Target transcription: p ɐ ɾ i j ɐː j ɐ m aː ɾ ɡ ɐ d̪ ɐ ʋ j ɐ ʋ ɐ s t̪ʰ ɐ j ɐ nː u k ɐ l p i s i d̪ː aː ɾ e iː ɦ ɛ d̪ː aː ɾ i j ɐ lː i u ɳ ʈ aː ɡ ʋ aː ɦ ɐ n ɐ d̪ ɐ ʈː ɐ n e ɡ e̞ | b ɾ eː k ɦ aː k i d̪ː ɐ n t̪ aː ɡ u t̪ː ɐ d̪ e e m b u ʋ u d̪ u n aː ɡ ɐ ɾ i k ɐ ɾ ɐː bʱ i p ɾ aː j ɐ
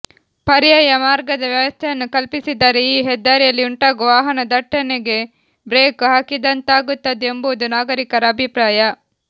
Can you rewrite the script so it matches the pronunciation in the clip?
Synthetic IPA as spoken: p ɐ ɾ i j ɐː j ɐ m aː ɾ ɡ ɐ d̪ ɐ ʋ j ɐ ʋ ɐ s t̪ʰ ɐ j ɐ nː u k ɐ l p i s i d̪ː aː ɾ e iː ɦ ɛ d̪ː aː ɾ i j ɐ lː i u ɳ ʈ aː ɡ ʋ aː ɦ ɐ n ɐ d̪ ɐ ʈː ɐ n e ɡ e̞ | b ɾ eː k ɦ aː k i d̪ ɐ n t̪ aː ɡ u t̪ː ɐ d̪ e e m b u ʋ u d̪ u n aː ɡ ɐ ɾ i k ɐ ɾ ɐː bʱ i p ɾ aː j ɐ